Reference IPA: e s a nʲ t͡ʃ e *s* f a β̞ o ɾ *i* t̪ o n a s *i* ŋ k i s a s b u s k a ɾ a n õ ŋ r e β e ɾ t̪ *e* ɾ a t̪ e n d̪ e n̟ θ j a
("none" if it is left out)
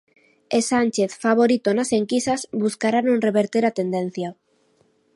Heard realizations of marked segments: θ, i, e, e

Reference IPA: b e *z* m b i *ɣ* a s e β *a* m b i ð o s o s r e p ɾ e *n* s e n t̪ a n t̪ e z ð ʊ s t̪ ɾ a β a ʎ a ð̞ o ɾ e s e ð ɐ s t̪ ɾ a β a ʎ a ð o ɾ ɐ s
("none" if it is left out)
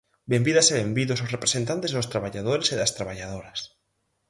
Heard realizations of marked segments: none, ð, e, none

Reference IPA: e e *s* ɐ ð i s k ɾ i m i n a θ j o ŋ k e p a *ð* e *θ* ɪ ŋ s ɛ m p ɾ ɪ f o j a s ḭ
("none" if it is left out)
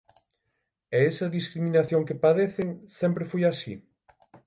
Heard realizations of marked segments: s, ð, θ

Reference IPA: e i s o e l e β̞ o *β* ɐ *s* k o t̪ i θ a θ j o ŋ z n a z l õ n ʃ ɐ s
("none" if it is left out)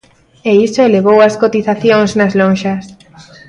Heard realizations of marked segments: w, s

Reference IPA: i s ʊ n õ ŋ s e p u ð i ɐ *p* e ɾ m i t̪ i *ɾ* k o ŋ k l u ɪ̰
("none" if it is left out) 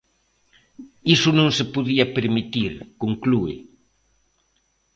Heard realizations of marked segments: p, ɾ

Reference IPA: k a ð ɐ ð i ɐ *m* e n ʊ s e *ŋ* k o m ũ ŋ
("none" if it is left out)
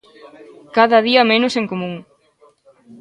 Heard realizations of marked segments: m, ŋ

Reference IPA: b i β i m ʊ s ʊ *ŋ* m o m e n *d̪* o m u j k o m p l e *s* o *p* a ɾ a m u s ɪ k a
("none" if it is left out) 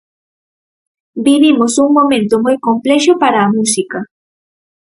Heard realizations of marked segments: ŋ, t̪, ʃ, p

